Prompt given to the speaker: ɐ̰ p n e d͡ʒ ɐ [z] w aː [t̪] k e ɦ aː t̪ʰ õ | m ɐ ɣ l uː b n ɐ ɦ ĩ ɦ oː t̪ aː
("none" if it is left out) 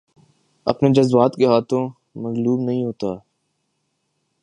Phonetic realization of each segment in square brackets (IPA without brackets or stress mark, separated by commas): z, t̪